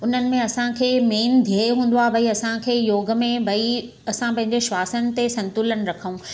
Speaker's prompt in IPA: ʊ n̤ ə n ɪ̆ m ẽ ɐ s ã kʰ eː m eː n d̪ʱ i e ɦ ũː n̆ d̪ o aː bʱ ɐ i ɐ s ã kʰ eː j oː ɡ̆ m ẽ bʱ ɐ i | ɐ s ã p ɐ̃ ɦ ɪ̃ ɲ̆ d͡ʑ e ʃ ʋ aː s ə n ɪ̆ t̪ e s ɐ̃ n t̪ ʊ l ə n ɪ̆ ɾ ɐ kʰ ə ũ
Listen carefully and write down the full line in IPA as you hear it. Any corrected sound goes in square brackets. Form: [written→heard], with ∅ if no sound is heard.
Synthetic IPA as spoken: ʊ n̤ ə n ɪ̆ m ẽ ɐ s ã kʰ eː m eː n d̪ʱ i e ɦ ũː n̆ d̪ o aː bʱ ɐ i ɐ s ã kʰ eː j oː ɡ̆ m ẽ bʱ ɐ i | ɐ s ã p ɐ̃ ɦ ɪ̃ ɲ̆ d͡ʑ e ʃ ʋ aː s ə n ɪ̆ t̪ e s ɐ̃ n t̪ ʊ l ə n ɪ̆ ɾ ɐ kʰ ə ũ